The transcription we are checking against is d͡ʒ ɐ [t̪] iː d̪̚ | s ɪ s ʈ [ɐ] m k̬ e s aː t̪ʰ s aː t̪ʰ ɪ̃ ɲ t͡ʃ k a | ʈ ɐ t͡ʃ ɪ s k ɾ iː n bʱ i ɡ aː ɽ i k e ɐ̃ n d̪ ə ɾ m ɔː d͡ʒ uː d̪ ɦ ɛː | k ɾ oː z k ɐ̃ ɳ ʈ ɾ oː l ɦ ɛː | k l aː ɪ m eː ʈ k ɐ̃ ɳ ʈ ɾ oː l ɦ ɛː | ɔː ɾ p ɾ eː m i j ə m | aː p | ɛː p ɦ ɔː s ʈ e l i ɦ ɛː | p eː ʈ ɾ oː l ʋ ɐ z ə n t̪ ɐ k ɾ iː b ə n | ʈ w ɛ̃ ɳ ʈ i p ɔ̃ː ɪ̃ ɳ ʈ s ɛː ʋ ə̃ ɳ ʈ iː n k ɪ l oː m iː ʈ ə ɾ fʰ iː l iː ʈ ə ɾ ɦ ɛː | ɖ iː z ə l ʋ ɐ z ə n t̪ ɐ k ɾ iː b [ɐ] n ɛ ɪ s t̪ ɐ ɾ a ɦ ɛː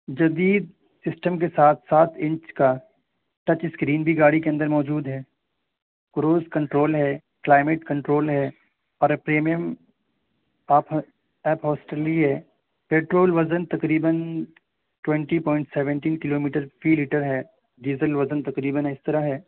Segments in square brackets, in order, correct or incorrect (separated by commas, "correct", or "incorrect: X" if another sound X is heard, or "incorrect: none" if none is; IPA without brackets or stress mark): incorrect: d̪, incorrect: ə, incorrect: ə